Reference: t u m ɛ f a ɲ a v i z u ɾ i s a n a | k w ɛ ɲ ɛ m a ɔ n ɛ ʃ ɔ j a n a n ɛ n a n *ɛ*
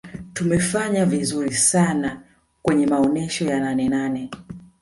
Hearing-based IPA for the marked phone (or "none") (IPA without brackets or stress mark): ɛ